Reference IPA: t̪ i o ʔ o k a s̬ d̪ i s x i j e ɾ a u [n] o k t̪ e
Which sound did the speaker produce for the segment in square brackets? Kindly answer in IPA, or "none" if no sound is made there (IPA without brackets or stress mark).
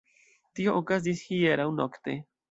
n